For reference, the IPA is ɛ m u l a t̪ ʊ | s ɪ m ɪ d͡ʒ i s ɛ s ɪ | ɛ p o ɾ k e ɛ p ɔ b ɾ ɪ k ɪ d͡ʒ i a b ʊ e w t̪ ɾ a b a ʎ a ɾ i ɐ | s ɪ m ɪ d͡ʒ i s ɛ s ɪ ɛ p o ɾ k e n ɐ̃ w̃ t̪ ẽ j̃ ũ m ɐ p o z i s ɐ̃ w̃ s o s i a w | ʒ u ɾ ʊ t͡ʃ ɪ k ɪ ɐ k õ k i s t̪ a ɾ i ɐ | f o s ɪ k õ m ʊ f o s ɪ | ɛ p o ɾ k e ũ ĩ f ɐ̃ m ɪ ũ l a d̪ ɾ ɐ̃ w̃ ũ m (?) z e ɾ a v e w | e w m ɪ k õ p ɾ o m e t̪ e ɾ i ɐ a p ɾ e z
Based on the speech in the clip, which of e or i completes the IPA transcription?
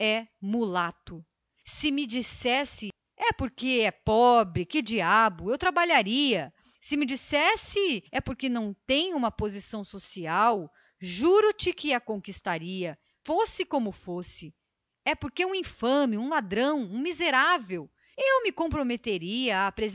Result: i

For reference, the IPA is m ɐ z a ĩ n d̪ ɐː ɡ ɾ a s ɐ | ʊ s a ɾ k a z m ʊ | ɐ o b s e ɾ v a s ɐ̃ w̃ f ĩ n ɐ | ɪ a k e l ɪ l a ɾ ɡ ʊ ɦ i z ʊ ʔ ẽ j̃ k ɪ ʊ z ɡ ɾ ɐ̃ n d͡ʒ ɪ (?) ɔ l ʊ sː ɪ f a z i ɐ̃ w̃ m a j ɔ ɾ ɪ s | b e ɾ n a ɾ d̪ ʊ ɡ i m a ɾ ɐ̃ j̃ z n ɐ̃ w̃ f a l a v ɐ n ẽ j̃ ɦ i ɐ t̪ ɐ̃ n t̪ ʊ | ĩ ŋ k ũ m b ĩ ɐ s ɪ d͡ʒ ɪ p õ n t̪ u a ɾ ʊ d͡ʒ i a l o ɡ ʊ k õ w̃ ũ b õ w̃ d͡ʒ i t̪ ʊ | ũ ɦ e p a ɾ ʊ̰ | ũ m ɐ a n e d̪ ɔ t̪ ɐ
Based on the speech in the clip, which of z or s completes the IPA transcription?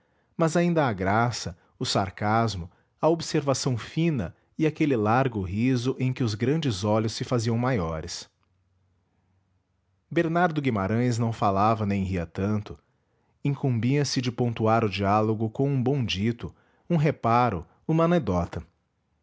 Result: z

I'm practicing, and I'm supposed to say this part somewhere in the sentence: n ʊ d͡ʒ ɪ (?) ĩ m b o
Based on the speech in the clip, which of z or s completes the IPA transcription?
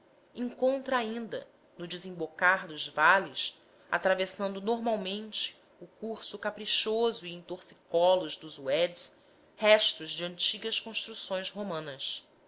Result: z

